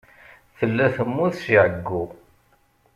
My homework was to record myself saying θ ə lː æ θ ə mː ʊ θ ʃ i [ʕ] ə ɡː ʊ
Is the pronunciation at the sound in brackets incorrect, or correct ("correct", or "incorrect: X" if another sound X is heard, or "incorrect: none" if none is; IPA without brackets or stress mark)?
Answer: correct